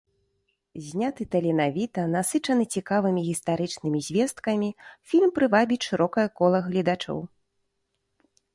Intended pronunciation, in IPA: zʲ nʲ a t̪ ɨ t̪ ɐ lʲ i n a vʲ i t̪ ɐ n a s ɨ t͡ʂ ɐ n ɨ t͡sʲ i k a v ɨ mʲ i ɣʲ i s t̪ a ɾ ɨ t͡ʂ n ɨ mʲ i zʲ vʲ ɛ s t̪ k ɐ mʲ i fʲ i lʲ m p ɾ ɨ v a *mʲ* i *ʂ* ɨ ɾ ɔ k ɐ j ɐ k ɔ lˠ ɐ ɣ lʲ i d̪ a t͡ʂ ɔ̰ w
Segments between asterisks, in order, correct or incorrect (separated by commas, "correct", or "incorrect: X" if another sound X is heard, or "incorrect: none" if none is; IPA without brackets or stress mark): incorrect: bʲ, correct